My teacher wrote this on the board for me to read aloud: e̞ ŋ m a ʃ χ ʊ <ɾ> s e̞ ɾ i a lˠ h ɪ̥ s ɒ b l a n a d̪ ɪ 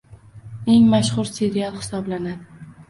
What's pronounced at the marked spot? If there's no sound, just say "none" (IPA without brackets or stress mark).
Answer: ɾ